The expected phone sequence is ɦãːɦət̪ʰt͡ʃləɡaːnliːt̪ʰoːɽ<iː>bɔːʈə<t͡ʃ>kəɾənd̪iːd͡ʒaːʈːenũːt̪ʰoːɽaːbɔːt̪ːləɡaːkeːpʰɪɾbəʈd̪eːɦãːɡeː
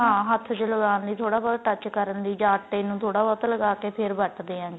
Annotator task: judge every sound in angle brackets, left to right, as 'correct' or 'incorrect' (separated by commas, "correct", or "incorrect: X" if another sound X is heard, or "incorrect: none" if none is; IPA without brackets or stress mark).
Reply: incorrect: aː, correct